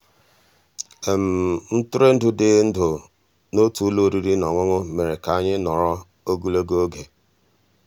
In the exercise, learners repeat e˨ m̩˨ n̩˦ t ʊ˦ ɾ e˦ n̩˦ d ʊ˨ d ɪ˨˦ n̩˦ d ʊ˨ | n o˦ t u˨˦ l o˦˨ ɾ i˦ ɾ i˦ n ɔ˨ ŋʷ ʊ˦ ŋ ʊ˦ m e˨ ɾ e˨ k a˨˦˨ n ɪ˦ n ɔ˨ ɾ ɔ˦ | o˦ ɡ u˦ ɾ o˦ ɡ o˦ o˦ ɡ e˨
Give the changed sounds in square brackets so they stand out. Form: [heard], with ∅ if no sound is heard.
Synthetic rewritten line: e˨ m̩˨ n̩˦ t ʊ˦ ɾ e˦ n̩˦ d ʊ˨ d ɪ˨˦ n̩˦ d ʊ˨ | n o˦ t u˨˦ l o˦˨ ɾ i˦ ɾ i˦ n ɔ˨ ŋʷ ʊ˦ ŋ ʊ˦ m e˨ ɾ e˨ k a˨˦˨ [ɲ] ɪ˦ n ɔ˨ ɾ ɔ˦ | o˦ ɡ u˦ [l] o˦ ɡ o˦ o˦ ɡ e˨

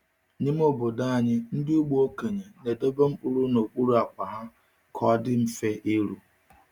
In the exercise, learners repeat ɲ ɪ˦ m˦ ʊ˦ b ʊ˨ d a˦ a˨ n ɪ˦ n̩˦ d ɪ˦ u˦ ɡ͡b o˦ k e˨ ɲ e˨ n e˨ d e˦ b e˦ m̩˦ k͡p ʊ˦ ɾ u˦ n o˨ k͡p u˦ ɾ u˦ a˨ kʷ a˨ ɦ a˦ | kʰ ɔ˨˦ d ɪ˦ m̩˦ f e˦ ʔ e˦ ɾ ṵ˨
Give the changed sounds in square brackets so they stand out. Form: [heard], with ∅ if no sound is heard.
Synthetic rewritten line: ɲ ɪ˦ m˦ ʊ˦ b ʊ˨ d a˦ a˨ [ɲ] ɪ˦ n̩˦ d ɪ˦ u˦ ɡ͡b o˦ k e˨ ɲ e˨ n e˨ d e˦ b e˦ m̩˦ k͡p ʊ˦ ɾ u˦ n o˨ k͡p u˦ ɾ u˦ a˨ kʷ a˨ ɦ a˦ | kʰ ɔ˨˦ d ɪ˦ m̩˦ f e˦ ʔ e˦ ɾ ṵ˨

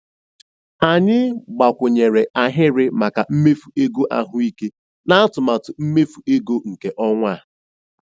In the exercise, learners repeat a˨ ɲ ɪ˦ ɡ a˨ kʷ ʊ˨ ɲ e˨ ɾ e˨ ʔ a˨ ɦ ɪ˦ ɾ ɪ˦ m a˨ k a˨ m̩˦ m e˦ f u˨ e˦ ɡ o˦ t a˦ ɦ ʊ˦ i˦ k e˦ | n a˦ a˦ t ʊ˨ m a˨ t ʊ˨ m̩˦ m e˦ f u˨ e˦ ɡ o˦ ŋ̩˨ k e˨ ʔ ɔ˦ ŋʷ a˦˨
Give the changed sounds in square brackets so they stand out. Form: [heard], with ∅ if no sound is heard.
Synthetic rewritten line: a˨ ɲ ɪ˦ [ɡ͡b] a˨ kʷ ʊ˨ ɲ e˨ ɾ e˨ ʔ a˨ ɦ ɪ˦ ɾ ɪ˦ m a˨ k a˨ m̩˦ m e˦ f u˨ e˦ ɡ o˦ [ʔ] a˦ ɦ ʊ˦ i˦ k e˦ | n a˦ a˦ t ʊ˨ m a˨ t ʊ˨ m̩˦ m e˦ f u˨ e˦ ɡ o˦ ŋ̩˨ k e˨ ʔ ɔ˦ ŋʷ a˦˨

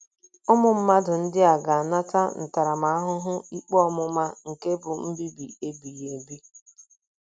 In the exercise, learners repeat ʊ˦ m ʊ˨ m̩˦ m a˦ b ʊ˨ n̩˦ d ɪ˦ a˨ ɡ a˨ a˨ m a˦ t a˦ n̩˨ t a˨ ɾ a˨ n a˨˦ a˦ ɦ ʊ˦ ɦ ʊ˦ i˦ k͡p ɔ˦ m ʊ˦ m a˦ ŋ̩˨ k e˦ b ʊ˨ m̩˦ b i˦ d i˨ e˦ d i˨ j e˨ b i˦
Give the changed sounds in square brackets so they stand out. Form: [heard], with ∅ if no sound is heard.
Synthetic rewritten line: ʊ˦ m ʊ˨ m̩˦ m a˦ [d] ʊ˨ n̩˦ d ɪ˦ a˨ ɡ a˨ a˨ [n] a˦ t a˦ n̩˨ t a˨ ɾ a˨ [m] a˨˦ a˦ ɦ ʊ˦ ɦ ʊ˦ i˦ k͡p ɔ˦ m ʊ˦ m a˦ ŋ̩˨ k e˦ b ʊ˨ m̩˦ b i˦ [b] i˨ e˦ [b] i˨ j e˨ b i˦

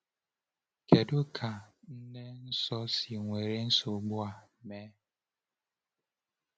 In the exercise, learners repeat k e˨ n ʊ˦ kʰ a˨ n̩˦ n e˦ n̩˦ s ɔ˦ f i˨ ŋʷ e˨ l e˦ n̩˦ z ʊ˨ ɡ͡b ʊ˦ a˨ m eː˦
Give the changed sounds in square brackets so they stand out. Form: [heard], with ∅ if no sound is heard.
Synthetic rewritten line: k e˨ [d] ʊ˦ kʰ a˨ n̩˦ n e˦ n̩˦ s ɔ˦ [s] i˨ ŋʷ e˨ [ɾ] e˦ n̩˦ [s] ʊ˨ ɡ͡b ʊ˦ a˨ m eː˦

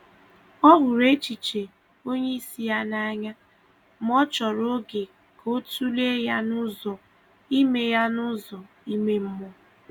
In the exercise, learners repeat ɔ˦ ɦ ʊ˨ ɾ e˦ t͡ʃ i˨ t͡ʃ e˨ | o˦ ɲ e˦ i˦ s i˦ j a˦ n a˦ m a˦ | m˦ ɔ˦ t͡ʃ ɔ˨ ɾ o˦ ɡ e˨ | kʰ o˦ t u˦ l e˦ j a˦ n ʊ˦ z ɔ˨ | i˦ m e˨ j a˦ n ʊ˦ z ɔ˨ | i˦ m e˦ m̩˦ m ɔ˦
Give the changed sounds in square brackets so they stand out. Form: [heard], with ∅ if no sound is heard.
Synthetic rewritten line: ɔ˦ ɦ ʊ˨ ɾ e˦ t͡ʃ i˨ t͡ʃ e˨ | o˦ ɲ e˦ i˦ s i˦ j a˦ n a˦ [ɲ] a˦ | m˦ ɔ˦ t͡ʃ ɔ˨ ɾ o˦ ɡ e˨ | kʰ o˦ t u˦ l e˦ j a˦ n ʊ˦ z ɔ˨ | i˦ m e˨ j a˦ n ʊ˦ z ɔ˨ | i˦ m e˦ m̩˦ m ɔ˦

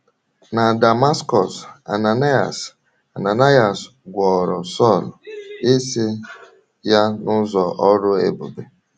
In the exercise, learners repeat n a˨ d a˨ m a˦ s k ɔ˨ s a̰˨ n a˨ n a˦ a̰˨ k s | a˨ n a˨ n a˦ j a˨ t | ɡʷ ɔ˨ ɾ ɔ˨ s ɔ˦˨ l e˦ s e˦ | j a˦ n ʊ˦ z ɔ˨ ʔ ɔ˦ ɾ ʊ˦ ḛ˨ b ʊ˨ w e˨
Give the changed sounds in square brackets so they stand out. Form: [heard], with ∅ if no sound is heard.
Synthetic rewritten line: n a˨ d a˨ m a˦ s k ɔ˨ s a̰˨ n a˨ n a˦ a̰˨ [∅] s | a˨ n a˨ n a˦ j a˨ [s] | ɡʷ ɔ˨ ɾ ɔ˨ s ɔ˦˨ l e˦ s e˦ | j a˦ n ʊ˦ z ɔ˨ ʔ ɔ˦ ɾ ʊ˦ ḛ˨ b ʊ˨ [b] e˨

